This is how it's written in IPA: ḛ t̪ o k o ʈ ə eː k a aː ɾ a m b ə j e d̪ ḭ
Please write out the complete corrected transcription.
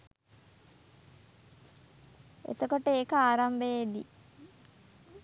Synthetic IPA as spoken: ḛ t̪ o k o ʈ ə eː k ə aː ɾ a m b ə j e d̪ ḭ